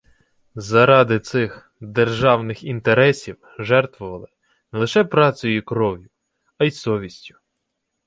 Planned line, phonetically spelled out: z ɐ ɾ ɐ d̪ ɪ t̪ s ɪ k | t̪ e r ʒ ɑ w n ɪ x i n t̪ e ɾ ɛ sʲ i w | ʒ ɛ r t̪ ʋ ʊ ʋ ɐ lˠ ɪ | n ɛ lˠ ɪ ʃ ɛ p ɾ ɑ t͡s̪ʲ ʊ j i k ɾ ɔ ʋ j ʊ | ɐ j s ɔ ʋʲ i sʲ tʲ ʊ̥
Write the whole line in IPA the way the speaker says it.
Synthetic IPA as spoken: z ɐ ɾ ɑ d̪ ɪ t̪ s ɪ x | d̪ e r ʒ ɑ w n ɪ x i n t̪ e ɾ ɛ sʲ i w | ʒ ɛ r t̪ ʋ ʊ ʋ ɐ lˠ ɪ | n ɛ lˠ ɪ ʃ ɛ p ɾ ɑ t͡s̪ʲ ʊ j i k ɾ ɔ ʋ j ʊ | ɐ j s ɔ ʋʲ i sʲ tʲ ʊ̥